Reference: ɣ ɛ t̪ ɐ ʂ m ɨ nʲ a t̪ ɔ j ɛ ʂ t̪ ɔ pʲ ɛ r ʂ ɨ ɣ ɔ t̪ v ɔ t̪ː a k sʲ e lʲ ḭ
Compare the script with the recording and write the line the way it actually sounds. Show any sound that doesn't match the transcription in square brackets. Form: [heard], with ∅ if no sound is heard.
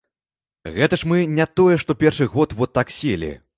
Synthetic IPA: ɣ ɛ t̪ ɐ ʂ m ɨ nʲ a t̪ ɔ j ɛ ʂ t̪ ɔ pʲ ɛ r ʂ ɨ ɣ ɔ t̪ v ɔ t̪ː a k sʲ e lʲ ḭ